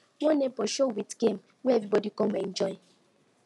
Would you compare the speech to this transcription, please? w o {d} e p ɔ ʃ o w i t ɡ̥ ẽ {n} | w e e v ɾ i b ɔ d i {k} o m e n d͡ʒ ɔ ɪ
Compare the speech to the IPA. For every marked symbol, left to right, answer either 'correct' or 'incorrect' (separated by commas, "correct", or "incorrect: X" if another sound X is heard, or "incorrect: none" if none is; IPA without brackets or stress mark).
incorrect: n, incorrect: m, correct